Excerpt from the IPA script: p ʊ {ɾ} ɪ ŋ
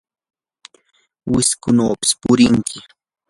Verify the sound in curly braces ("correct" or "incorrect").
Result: correct